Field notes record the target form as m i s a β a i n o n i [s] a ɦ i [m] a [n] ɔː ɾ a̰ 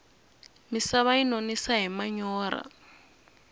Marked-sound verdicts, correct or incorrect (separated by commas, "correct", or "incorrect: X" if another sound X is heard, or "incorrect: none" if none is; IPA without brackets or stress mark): correct, correct, incorrect: ɲ